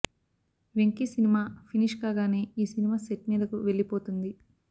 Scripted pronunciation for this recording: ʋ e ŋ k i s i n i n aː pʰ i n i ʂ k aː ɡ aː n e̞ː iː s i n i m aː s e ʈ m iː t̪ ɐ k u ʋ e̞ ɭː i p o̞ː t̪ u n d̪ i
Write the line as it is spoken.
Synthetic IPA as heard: ʋ e ŋ k i s i n i m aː pʰ i n i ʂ k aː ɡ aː n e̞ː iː s i n i m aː s e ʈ m iː d̪ ɐ k u ʋ e̞ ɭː i p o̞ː t̪ u n d̪ i